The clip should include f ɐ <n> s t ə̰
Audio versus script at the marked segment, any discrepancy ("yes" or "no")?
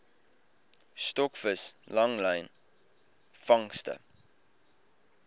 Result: yes